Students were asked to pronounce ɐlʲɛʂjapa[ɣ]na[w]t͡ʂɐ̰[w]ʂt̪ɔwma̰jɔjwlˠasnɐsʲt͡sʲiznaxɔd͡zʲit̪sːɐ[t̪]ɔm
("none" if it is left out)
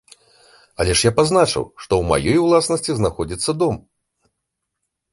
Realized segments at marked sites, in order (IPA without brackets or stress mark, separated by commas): z, none, w, d̪